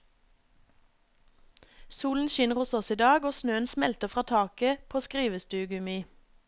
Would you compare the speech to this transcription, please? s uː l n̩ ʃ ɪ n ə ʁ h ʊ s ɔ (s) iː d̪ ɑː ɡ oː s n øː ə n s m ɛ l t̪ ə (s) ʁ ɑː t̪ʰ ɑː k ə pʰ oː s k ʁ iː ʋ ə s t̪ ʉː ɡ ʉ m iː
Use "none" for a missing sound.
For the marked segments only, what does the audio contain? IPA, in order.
s, f

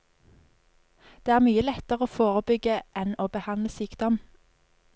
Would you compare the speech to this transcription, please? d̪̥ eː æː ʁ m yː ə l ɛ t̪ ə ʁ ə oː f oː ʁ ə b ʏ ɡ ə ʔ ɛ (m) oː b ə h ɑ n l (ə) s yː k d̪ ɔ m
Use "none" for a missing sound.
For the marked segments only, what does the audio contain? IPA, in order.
n, ə

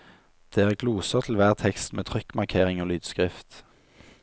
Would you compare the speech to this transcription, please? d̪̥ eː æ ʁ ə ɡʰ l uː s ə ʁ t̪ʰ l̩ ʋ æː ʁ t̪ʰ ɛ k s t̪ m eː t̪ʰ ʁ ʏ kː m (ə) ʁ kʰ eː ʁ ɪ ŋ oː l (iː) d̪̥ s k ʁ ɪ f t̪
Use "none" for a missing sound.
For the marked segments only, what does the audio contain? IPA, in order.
ɑ, yː

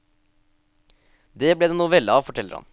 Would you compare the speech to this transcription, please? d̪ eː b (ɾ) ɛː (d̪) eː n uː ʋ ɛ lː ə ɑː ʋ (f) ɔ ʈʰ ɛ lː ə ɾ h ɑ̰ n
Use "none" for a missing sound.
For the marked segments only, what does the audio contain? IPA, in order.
l, d̪, f

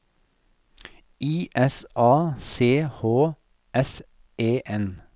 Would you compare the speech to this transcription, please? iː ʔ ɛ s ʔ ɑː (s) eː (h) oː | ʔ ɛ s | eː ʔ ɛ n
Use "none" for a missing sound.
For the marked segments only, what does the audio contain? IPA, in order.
s, h

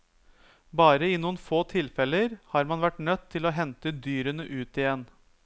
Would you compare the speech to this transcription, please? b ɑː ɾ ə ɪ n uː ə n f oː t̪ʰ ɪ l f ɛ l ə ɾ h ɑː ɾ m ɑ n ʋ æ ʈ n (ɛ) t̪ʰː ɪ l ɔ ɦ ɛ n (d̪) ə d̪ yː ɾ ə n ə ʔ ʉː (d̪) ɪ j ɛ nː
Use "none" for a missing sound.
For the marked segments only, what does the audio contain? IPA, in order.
œ, t̪, t̪

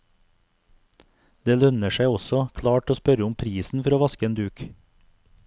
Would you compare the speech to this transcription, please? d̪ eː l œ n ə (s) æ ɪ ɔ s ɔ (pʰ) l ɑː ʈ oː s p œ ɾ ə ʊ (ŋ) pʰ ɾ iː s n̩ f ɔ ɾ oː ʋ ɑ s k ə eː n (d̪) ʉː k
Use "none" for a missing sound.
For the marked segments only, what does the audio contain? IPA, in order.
ʃ, kʰ, m, d̪

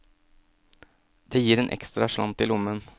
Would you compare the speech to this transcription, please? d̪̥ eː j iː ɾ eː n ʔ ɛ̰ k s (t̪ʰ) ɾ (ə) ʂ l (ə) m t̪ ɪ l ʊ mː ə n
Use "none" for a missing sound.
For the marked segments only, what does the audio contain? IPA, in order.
t̪, ɑ, ɑ

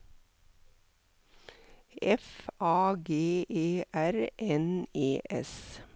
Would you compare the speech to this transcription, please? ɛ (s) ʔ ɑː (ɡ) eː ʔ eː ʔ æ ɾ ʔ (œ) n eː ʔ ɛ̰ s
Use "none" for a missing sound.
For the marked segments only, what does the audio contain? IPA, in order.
f, ɡ, ɛ

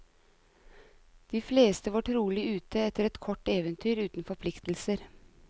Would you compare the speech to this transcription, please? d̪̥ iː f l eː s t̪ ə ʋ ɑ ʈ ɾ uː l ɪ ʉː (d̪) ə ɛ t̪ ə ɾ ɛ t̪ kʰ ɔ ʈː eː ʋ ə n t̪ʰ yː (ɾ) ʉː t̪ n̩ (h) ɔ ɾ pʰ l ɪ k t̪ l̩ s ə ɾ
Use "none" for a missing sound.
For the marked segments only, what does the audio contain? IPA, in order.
t̪, ɾ, f

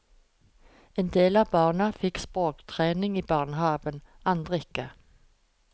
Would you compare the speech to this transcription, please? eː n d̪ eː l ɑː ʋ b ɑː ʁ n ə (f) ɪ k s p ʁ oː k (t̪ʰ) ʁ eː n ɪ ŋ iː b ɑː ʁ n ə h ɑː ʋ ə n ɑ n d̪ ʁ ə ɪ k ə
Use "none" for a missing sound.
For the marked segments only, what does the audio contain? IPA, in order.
f, t̪ʰ

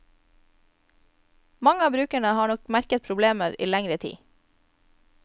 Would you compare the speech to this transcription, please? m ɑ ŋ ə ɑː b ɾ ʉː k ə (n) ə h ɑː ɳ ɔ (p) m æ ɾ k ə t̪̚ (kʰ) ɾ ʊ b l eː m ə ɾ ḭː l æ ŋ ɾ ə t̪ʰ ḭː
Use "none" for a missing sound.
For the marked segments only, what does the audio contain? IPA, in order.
ɳ, k, pʰ

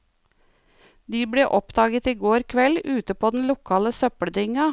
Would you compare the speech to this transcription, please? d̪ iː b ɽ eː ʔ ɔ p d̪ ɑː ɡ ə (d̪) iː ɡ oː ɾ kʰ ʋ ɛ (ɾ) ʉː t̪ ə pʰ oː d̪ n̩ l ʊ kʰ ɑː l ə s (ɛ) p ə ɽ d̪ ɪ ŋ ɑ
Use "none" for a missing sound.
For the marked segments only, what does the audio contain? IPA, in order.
t̪, l, œ

